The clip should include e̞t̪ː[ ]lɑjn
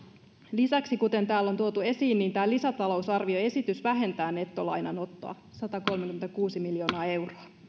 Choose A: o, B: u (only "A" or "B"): A